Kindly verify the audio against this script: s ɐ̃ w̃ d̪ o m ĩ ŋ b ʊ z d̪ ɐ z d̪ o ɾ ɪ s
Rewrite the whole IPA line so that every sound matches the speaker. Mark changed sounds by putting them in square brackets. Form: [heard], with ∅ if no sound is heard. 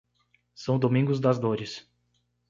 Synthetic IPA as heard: s ɐ̃ w̃ d̪ o m ĩ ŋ [ɡ] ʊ z d̪ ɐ z d̪ o ɾ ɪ s

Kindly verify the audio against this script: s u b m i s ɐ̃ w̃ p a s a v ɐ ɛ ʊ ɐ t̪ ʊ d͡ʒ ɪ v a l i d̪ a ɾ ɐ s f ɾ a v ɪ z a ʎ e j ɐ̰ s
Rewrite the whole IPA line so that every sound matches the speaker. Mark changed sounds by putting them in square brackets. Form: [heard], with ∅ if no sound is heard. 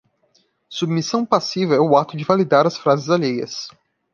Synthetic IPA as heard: s u b m i s ɐ̃ w̃ p a s [i] v ɐ ɛ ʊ [a] t̪ ʊ d͡ʒ ɪ v a l i d̪ a ɾ ɐ s f ɾ a [z] ɪ z a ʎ e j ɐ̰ s

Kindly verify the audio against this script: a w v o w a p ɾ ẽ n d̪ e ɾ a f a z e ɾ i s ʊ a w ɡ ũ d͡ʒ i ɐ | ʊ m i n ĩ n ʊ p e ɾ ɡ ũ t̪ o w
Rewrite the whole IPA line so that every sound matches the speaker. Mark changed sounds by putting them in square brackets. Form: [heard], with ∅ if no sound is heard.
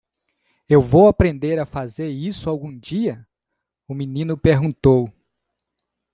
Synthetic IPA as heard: [e] w v o w a p ɾ ẽ n d̪ e ɾ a f a z e ɾ i s ʊ a w ɡ ũ d͡ʒ i ɐ | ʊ m i n ĩ n ʊ p e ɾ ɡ ũ t̪ o w

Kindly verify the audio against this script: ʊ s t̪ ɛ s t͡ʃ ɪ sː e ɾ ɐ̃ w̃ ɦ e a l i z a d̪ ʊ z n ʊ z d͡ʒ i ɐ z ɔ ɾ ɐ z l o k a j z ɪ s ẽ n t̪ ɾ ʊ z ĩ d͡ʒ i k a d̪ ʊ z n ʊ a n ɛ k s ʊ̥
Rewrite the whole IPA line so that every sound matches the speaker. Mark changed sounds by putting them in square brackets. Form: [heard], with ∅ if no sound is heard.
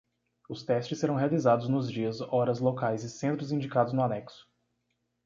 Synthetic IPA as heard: ʊ s t̪ ɛ s t͡ʃ ɪ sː e ɾ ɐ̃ w̃ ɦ e a l i z a d̪ ʊ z n ʊ z d͡ʒ i ɐ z ɔ ɾ ɐ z l o k a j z ɪ s ẽ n t̪ ɾ ʊ z ĩ d͡ʒ i k a d̪ ʊ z n ʊ a n ɛ k s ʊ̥

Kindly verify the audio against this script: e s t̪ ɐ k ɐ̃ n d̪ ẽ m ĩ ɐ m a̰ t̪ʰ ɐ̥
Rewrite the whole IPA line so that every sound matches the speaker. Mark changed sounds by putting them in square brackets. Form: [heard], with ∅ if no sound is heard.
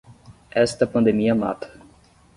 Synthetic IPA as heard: [ɛ] s t̪ ɐ [p] ɐ̃ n d̪ [e] m [i] ɐ m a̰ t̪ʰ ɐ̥

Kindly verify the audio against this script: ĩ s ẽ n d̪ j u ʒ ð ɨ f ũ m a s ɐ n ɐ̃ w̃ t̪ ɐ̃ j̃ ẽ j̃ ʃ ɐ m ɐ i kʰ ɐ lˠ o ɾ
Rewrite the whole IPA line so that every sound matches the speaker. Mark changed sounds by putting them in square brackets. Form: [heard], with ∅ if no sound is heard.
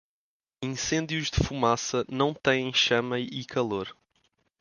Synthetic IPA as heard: ĩ s ẽ n d̪ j u ʒ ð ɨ f [u] m a s ɐ n ɐ̃ w̃ t̪ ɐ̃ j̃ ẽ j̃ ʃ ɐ m ɐ i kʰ ɐ lˠ o ɾ

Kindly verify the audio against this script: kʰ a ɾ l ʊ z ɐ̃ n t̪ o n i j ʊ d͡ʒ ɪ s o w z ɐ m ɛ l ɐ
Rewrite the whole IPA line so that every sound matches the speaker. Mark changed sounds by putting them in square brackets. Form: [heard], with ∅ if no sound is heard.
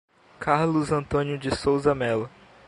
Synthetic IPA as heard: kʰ a ɾ l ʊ z ɐ̃ n t̪ [õ] n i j ʊ d͡ʒ ɪ s o w z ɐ m ɛ l ɐ

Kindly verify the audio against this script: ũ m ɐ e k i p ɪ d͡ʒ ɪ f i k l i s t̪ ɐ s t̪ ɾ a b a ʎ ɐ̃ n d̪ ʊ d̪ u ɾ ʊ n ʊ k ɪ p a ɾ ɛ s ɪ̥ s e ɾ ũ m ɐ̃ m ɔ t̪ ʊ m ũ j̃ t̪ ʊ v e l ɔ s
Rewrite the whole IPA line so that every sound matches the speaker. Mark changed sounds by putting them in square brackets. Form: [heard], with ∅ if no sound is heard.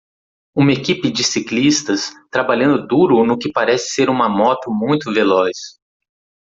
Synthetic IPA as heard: ũ m ɐ e k i p ɪ d͡ʒ ɪ [s] i k l i s t̪ ɐ s t̪ ɾ a b a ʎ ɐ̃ n d̪ ʊ d̪ u ɾ ʊ n ʊ k ɪ p a ɾ ɛ s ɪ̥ s e ɾ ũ m [ɐ] m ɔ t̪ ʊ m ũ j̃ t̪ ʊ v e l ɔ s

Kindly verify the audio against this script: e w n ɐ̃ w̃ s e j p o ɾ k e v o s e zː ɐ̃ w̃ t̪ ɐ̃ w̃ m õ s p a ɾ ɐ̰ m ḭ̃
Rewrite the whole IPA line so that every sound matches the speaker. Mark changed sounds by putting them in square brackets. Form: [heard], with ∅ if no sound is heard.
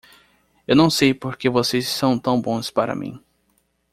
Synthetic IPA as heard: e w n ɐ̃ w̃ s e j p o ɾ k e v o s e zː ɐ̃ w̃ t̪ ɐ̃ w̃ [b] õ s p a ɾ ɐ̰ m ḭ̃

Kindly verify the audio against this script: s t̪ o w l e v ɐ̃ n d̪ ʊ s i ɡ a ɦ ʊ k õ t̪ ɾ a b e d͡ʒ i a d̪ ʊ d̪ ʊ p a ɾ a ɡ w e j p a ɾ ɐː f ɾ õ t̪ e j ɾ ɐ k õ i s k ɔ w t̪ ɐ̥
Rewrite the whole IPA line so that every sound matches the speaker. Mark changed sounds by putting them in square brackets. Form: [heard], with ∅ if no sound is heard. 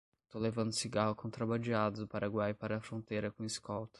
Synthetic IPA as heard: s t̪ o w l e v ɐ̃ n d̪ ʊ s i ɡ a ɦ ʊ k õ t̪ ɾ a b [a] d͡ʒ i a d̪ ʊ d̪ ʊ p a ɾ a ɡ w [a] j p a ɾ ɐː f ɾ õ t̪ e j ɾ ɐ k õ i s k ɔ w t̪ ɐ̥

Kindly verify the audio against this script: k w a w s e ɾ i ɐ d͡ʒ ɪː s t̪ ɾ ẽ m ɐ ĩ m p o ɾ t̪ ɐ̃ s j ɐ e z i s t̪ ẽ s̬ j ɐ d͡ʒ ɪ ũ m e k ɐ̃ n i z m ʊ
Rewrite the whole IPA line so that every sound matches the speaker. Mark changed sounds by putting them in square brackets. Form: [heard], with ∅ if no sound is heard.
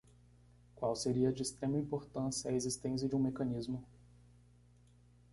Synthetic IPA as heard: k w a w s e ɾ i ɐ d͡ʒ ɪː s t̪ ɾ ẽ m ɐ ĩ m p o ɾ t̪ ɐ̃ s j ɐ e z i s t̪ ẽ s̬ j ɐ d͡ʒ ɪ ũ m e k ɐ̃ n i z m ʊ

